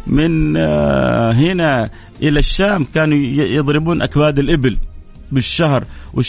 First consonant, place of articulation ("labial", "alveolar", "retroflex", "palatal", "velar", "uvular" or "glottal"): labial